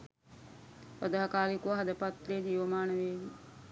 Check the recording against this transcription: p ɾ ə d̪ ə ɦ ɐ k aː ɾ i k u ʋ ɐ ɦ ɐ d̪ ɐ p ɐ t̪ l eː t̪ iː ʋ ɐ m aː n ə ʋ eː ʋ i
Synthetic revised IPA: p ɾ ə d̪ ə ɦ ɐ k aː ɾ i k u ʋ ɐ ɦ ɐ d̪ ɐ p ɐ t̪ l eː d̪ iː ʋ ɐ m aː n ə ʋ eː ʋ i